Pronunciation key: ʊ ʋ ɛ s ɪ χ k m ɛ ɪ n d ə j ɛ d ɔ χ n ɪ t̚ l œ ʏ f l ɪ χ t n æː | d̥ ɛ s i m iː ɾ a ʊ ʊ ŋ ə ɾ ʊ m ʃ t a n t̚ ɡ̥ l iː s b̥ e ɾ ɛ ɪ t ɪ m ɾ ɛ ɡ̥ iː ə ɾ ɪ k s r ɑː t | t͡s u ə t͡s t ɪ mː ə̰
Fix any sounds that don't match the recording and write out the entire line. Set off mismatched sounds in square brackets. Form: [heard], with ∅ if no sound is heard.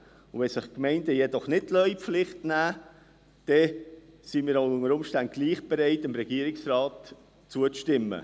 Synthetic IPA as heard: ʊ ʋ ɛ s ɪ χ k m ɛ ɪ n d ə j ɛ d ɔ χ n ɪ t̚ l œ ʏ f l ɪ χ t n æː | d̥ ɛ s i m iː ɾ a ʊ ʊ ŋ ə ɾ ʊ m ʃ t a n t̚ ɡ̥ l iː [χ] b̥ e ɾ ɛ ɪ t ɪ m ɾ ɛ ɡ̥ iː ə ɾ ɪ k s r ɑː t | t͡s u ə t͡s t ɪ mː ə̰

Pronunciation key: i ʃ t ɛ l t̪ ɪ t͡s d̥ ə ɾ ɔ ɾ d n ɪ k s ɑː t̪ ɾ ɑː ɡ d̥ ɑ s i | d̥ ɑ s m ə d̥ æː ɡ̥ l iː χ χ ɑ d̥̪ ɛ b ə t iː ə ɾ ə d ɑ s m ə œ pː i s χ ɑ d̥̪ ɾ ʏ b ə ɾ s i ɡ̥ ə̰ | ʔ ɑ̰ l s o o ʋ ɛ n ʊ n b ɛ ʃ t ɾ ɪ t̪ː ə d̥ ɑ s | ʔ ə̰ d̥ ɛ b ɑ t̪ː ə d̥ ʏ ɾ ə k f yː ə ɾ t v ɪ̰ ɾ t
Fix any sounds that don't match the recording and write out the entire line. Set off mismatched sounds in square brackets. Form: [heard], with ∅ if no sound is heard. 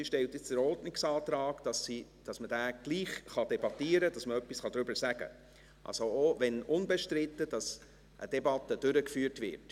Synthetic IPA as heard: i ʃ t ɛ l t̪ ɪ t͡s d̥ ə ɾ ɔ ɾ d n ɪ k s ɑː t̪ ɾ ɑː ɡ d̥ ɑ s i | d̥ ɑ s m ə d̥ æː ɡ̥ l iː χ χ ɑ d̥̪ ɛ b [ɑ] t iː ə ɾ ə d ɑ s m ə œ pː i s χ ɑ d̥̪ ɾ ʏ b ə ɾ s [æ] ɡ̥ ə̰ | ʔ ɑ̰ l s o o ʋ ɛ n ʊ n b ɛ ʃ t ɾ ɪ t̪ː ə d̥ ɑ s | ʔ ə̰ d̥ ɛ b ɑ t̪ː ə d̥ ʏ ɾ ə k f yː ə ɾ t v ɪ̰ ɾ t

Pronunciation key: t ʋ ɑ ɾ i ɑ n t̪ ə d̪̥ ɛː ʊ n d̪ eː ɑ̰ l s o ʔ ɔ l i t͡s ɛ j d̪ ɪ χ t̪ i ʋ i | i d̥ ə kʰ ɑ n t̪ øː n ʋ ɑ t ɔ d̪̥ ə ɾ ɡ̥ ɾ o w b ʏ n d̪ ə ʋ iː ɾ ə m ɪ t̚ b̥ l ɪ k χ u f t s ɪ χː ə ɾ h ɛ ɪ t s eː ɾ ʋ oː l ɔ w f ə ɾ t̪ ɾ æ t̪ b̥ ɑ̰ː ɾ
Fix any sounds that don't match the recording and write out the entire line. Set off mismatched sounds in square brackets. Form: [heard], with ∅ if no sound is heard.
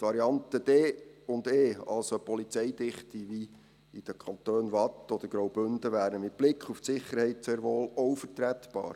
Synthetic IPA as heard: t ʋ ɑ ɾ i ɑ n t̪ ə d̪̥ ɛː ʊ n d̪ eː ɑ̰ l s o [p] ɔ l i t͡s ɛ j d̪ ɪ χ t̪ i ʋ i | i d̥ ə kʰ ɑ n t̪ øː n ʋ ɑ t ɔ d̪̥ ə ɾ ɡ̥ ɾ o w b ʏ n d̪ ə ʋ [æː] ɾ ə m ɪ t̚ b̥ l ɪ k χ u f t s ɪ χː ə ɾ h ɛ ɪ t s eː ɾ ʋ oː l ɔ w f ə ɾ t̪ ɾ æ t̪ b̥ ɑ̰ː ɾ

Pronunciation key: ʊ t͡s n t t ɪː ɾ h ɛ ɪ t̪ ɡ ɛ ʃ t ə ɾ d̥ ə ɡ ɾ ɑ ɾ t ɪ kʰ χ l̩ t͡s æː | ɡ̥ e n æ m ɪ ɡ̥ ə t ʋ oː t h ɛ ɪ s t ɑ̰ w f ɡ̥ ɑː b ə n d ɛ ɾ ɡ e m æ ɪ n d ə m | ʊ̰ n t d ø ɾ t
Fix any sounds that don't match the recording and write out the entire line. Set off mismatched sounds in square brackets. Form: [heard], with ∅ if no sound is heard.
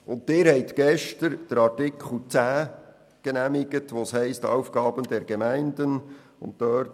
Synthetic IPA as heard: ʊ [∅] n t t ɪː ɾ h ɛ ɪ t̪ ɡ ɛ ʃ t ə ɾ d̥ ə [∅] ɾ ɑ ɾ t ɪ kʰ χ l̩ t͡s æː | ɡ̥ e n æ m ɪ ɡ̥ ə t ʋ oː [s] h ɛ ɪ s t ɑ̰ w f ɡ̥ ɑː b ə n d ɛ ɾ ɡ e m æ ɪ n d ə [n] | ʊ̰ n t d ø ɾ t

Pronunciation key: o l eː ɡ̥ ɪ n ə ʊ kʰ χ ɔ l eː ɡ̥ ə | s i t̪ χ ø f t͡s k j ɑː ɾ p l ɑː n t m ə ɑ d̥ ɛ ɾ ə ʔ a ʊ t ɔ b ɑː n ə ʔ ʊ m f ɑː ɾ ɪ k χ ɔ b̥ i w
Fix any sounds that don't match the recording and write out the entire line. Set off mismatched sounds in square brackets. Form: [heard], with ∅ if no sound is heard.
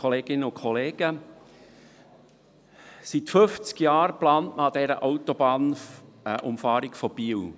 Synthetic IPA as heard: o l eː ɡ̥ ɪ n ə ʊ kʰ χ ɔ l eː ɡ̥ ə | s i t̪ [f] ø f t͡s k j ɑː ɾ p l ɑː n t m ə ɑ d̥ ɛ ɾ ə ʔ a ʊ t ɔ b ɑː n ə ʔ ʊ m f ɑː ɾ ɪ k [f] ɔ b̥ i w

